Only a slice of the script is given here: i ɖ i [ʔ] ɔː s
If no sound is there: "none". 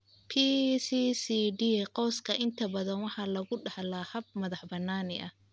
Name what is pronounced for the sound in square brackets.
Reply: q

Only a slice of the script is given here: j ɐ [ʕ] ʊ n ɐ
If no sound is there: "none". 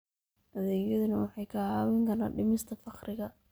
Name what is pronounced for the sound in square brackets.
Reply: ð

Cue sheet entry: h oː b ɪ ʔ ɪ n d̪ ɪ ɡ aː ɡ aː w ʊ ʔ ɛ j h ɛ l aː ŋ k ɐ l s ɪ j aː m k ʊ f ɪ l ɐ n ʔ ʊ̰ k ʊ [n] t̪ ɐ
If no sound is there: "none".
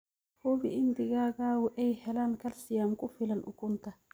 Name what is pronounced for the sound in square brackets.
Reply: n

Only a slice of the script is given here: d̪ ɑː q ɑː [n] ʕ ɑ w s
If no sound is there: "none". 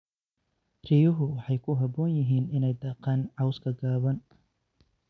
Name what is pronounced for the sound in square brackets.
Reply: n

